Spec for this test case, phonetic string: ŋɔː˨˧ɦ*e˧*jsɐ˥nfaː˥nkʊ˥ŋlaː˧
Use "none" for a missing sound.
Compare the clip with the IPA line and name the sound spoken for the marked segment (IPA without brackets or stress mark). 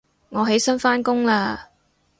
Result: e˨˥